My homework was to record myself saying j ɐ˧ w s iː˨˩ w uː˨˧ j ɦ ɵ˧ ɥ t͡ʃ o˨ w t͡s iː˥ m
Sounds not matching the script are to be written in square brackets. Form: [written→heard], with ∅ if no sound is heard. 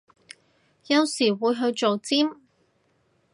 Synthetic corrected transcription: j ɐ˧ w s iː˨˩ w uː˨˧ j ɦ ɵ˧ ɥ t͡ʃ o˨ w t͡s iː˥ m